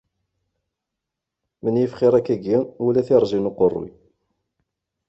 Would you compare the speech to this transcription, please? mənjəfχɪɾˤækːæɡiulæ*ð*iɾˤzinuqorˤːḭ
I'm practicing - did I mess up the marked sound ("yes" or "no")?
yes